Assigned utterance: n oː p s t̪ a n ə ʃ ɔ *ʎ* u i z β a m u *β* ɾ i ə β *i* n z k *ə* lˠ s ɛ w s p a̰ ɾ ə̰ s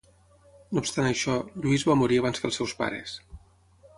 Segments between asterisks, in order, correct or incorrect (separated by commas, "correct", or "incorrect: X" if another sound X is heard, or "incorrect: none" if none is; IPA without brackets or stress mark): correct, incorrect: none, incorrect: a, correct